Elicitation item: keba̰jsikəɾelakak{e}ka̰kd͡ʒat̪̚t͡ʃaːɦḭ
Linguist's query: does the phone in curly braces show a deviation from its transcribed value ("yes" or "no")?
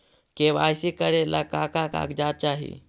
yes